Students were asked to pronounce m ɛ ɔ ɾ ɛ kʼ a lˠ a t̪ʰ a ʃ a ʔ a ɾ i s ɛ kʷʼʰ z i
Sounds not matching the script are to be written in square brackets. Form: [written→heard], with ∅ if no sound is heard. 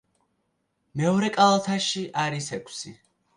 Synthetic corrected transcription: m ɛ ɔ ɾ ɛ kʼ a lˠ a t̪ʰ a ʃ [a→i] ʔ a ɾ i s ɛ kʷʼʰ [z→s] i